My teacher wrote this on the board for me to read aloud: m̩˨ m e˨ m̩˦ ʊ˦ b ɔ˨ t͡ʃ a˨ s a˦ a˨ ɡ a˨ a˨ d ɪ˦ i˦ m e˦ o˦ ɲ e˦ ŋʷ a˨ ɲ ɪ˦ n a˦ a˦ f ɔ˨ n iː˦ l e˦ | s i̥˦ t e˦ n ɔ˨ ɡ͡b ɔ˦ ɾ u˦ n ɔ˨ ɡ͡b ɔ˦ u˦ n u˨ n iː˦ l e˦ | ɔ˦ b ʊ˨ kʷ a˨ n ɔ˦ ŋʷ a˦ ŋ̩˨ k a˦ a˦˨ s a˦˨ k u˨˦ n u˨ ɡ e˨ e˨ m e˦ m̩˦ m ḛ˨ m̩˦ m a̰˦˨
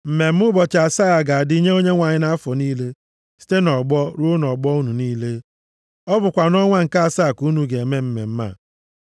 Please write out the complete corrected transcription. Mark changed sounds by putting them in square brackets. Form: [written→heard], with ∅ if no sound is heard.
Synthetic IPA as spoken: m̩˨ m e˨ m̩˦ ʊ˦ b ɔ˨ t͡ʃ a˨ s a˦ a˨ ɡ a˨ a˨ d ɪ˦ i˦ [m→ɲ] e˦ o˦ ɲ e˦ ŋʷ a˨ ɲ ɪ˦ n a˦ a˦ f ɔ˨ n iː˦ l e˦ | s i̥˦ t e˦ n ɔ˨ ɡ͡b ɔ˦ ɾ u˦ n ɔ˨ ɡ͡b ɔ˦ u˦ n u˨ n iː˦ l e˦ | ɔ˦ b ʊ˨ kʷ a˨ n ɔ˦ ŋʷ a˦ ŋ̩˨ k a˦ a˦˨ s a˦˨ k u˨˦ n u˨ ɡ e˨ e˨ m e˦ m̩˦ m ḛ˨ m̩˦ m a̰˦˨